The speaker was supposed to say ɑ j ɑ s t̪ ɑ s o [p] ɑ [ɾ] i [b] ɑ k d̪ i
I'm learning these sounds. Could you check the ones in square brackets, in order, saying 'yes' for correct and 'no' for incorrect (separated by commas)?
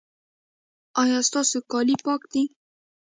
no, no, no